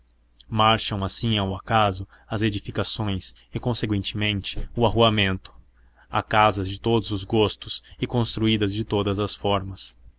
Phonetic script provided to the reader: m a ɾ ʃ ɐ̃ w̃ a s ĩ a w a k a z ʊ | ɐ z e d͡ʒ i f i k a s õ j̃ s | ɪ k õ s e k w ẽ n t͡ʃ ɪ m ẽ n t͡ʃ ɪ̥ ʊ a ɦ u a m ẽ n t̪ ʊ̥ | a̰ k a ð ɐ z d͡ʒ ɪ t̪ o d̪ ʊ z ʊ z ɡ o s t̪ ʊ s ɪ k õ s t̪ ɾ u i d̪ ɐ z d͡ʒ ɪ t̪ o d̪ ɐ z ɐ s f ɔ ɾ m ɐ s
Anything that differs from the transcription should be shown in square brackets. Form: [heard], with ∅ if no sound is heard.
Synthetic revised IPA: m a ɾ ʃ ɐ̃ w̃ a s ĩ a w a k a z ʊ | ɐ z e d͡ʒ i f i k a s õ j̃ s | ɪ k õ s e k w ẽ n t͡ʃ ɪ m ẽ n t͡ʃ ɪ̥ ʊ a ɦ u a m ẽ n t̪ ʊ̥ | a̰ k a [z] ɐ z d͡ʒ ɪ t̪ o d̪ ʊ z ʊ z ɡ o s t̪ ʊ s ɪ k õ s t̪ ɾ u i d̪ ɐ z d͡ʒ ɪ t̪ o d̪ ɐ z ɐ s f ɔ ɾ m ɐ s